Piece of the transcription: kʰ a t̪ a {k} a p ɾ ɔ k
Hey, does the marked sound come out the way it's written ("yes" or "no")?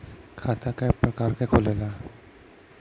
yes